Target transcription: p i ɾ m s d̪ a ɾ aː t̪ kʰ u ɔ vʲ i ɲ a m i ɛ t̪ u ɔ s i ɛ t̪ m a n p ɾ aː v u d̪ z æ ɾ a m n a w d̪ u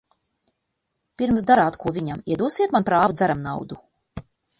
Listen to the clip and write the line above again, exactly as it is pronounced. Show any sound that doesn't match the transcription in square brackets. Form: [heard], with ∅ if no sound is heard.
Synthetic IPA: p i ɾ m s d̪ a ɾ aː t̪ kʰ u ɔ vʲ i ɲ a m i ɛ [d̪] u ɔ s i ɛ t̪ m a n p ɾ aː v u d̪ z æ ɾ a m n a w d̪ u